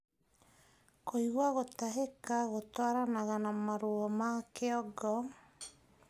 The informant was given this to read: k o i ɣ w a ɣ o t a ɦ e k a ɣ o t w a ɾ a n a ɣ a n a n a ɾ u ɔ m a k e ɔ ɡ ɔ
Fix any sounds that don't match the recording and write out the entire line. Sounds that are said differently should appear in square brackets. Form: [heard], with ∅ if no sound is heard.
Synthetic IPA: k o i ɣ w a ɣ o t a ɦ e k a ɣ o t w a ɾ a n a ɣ a n a [m] a ɾ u ɔ m a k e ɔ ɡ ɔ